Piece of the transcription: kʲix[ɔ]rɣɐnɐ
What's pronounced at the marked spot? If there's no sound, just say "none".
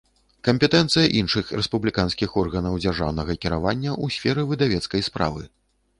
ɔ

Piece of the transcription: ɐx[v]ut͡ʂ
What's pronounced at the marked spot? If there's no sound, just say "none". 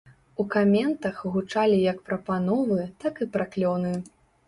ɣ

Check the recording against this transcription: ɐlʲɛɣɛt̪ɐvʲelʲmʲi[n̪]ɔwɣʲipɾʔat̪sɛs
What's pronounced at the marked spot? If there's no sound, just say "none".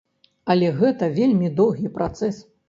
d̪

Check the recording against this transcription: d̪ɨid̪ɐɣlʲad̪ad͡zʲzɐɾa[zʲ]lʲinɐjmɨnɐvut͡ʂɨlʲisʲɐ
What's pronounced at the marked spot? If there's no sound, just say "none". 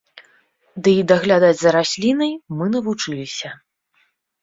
sʲ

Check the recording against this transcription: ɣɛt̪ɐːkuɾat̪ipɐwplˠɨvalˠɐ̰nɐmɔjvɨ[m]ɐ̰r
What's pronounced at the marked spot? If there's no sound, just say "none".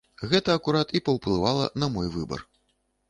b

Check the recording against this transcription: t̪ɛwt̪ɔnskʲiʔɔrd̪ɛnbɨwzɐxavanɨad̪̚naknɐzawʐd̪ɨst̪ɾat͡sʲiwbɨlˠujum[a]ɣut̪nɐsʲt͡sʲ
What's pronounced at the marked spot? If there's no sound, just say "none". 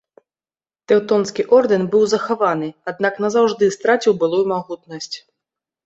a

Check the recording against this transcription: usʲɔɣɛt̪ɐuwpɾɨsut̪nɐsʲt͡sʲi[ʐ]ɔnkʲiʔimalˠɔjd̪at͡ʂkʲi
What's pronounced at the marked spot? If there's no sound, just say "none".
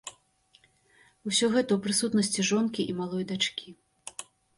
ʐ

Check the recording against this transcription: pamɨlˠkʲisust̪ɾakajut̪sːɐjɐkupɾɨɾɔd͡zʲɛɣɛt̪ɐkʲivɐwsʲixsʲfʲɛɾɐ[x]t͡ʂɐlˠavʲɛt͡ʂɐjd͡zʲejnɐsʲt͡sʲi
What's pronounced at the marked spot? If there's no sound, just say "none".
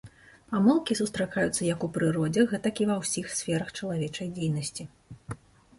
x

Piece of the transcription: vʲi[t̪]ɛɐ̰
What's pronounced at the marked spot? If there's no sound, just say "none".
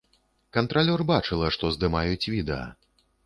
d̪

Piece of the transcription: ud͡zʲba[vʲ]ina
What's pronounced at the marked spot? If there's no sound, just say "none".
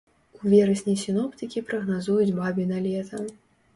bʲ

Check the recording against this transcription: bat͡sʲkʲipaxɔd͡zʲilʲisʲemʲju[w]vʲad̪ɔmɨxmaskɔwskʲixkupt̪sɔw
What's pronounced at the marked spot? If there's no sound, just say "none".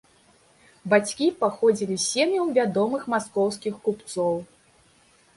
w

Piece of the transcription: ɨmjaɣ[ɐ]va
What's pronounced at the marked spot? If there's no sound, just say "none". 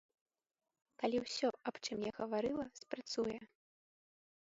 ɐ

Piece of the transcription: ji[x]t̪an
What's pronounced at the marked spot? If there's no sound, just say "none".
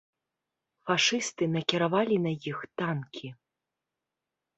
x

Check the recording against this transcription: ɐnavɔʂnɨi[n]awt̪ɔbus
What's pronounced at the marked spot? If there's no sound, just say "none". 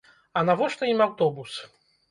m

